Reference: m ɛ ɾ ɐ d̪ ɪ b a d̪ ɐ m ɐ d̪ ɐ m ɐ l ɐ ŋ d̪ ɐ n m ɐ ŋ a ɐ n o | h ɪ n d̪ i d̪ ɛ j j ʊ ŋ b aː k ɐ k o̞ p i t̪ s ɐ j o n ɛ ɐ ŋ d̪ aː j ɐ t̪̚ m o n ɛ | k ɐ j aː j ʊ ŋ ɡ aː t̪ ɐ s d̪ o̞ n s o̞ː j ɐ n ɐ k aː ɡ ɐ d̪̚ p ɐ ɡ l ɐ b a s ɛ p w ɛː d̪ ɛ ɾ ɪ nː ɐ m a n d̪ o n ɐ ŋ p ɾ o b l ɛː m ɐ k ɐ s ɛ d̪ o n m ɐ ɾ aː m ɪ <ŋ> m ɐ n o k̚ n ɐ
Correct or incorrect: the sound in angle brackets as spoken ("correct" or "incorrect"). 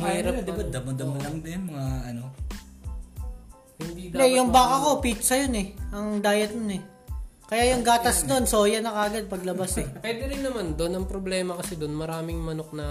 correct